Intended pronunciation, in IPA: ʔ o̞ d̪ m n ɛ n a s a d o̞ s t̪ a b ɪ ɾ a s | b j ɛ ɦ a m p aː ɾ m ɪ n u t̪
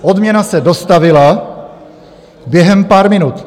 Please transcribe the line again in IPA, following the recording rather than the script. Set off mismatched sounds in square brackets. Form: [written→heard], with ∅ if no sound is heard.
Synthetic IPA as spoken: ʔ o̞ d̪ m [n→ɲ] ɛ n a s [a→ɛ] d o̞ s t̪ a [b→v] ɪ [ɾ→l] a [s→∅] | b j ɛ ɦ [a→ɛ] m p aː ɾ m ɪ n u t̪

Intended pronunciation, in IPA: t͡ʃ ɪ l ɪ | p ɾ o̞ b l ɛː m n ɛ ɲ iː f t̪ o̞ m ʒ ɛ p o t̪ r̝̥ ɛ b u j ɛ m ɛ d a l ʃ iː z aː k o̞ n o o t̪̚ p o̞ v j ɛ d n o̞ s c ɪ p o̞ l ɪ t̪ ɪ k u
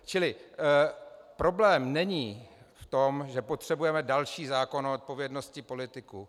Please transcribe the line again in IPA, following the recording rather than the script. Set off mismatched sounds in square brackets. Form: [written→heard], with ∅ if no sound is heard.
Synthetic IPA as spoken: t͡ʃ ɪ l ɪ | p ɾ o̞ b l ɛː m n ɛ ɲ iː f t̪ o̞ m ʒ ɛ p o t̪ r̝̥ ɛ b u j ɛ m ɛ d a l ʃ iː z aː k o̞ n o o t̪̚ p o̞ v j ɛ d n o̞ s c ɪ p o̞ l ɪ t̪ ɪ k u

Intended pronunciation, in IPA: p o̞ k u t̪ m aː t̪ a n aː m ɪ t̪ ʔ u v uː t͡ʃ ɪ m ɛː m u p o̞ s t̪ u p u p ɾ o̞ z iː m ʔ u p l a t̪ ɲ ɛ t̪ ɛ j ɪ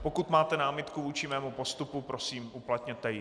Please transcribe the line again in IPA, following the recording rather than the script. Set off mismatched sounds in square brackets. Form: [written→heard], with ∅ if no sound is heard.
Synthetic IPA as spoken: p o̞ k u t̪ m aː t̪ [a→ɛ] n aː m ɪ t̪ [ʔ→k] u v uː t͡ʃ ɪ m ɛː m u p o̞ s t̪ u p u p ɾ o̞ [z→s] iː m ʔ u p l a t̪ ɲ ɛ t̪ ɛ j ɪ

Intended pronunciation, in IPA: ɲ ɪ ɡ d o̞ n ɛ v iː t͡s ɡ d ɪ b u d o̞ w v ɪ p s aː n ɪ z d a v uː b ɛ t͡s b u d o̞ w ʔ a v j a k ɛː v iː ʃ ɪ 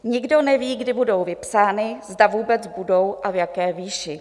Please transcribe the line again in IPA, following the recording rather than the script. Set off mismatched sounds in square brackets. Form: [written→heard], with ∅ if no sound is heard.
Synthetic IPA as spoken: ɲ ɪ ɡ d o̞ n ɛ v iː [t͡s→∅] ɡ d ɪ b u d o̞ w v ɪ p s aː n ɪ z d a v uː b ɛ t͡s b u d o̞ w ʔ a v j a k ɛː v iː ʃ ɪ

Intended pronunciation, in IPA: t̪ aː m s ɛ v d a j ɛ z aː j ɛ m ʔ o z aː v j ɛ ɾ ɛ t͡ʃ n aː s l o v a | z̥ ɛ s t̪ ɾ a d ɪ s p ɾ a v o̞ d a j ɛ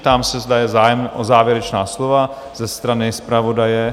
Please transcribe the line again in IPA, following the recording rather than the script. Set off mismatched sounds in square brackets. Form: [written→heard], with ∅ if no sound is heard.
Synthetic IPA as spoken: t̪ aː m s ɛ [v→z] d a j ɛ z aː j ɛ m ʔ o z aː v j ɛ ɾ ɛ t͡ʃ n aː s l o v a | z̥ ɛ s t̪ ɾ a [d→n] ɪ s p ɾ a v o̞ d a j ɛ

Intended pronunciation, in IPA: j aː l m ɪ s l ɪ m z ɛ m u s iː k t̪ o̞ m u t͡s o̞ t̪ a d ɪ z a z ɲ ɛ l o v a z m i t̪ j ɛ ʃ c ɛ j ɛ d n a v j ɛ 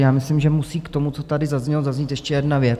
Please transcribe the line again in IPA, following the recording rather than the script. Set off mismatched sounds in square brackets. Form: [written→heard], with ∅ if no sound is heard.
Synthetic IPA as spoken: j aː [l→∅] m ɪ s l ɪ m [z→ʒ] ɛ m u s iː k t̪ o̞ m u t͡s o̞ t̪ a d ɪ z a z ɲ ɛ l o [v→z] a z [m→ɲ] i t̪ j ɛ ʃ c ɛ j ɛ d n a v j ɛ

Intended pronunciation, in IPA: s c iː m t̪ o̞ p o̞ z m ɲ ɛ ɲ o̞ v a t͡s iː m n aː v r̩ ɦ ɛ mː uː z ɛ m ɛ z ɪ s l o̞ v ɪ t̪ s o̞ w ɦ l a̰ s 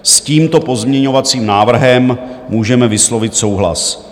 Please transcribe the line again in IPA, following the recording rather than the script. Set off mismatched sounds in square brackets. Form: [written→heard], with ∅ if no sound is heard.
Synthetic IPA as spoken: s c iː m t̪ o̞ p o̞ z m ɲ ɛ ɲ o̞ v a t͡s iː m n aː v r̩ ɦ ɛ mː uː [z→ʒ] ɛ m ɛ [z→v] ɪ s l o̞ v ɪ t̪ s o̞ w ɦ l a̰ s

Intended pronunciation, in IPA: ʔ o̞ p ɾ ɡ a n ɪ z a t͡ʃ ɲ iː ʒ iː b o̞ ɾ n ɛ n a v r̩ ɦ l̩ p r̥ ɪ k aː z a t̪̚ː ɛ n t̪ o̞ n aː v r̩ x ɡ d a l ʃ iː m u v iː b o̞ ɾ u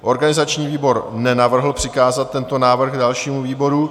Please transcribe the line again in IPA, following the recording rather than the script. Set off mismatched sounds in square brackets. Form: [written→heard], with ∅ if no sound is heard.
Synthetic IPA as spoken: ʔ o̞ [p→∅] ɾ ɡ a n ɪ z a t͡ʃ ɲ iː [ʒ→v] iː b o̞ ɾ n ɛ n a v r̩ ɦ l̩ p r̥ ɪ k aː z a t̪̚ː ɛ n t̪ o̞ n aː v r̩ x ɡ d a l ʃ iː m u v iː b o̞ ɾ u

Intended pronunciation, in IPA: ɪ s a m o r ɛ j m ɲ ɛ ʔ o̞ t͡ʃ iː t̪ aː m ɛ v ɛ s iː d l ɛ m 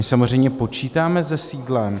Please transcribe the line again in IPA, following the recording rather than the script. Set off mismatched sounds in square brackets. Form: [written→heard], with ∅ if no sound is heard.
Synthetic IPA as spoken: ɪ s a m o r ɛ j m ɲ ɛ [ʔ→p] o̞ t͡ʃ iː t̪ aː m ɛ [v→z] ɛ s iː d l ɛ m

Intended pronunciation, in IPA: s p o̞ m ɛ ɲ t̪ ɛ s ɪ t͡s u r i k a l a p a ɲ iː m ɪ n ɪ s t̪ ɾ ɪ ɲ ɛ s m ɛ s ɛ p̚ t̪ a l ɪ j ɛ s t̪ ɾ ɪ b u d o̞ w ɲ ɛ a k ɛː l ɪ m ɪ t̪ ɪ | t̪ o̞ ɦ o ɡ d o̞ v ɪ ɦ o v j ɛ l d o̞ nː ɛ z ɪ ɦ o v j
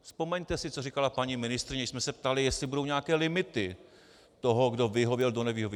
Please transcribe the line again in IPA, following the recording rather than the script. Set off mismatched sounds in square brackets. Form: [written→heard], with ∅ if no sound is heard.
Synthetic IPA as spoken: s p o̞ m ɛ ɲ t̪ ɛ s ɪ t͡s [u→o] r i k a l a p a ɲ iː m ɪ n ɪ s t̪ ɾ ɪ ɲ ɛ s m ɛ s ɛ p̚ t̪ a l ɪ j ɛ s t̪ [ɾ→l] ɪ b u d o̞ w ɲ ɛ a k ɛː l ɪ m ɪ t̪ ɪ | t̪ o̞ ɦ o ɡ d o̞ v ɪ ɦ o v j ɛ l d o̞ [nː→n] ɛ [z→v] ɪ ɦ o v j

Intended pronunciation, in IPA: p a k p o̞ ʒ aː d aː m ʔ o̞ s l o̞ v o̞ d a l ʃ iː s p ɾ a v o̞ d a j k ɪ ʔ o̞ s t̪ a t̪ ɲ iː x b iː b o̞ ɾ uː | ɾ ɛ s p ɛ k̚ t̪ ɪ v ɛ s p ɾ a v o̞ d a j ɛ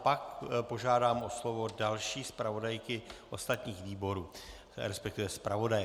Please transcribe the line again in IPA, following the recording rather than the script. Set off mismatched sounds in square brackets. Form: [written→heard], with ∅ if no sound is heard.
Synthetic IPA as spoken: p a k p o̞ ʒ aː d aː m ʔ o̞ s l o̞ v o̞ d a l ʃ iː s p ɾ a v o̞ d a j k ɪ ʔ o̞ s t̪ a t̪ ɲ iː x [b→v] iː b o̞ ɾ uː | ɾ ɛ s p ɛ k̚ t̪ ɪ v ɛ s p ɾ a v o̞ d a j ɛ

